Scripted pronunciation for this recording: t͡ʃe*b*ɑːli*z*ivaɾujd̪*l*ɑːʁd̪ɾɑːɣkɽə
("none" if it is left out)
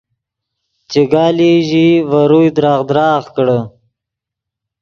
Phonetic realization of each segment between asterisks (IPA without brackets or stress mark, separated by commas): ɡ, ʒ, ɾ